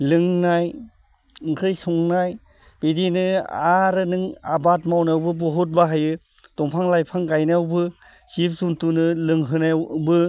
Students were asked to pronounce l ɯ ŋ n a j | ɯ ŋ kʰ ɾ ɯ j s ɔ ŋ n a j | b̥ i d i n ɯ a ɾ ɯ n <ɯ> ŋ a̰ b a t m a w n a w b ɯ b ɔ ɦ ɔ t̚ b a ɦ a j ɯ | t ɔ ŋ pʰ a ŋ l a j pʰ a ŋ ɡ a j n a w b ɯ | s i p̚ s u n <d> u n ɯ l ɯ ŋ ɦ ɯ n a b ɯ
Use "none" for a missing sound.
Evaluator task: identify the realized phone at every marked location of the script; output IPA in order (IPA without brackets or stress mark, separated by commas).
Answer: ɯ, t